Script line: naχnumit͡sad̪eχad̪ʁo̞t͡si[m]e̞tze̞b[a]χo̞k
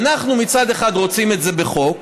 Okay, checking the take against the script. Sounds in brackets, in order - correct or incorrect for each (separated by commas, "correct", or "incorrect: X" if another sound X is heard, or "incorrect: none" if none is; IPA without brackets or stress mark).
correct, incorrect: e